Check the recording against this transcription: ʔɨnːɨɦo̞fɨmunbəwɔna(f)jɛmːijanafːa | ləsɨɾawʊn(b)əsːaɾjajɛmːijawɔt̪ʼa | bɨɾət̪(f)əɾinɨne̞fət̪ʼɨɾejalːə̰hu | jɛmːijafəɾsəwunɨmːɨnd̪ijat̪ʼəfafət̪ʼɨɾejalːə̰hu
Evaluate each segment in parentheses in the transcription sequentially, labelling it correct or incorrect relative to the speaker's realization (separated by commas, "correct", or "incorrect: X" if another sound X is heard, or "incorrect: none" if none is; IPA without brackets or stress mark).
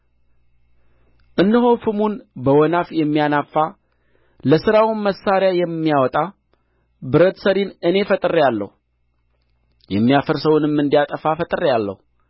correct, incorrect: m, incorrect: s